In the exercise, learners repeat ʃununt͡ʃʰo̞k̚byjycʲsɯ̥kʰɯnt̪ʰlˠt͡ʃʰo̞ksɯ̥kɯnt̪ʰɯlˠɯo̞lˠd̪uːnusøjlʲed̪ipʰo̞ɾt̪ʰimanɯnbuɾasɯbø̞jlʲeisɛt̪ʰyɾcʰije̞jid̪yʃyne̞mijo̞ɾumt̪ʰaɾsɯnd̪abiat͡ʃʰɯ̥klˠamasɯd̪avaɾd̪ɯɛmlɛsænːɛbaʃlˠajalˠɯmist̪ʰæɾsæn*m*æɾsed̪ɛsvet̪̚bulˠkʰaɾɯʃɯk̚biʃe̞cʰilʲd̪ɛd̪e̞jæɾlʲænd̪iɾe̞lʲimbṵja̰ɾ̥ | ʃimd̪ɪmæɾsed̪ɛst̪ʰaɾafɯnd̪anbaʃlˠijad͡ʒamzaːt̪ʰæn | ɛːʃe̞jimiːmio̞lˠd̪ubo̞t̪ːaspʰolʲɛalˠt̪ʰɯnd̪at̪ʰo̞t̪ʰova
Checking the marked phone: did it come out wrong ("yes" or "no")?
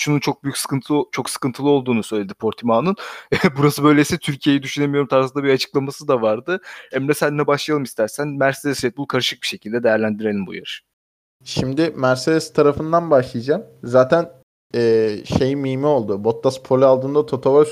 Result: no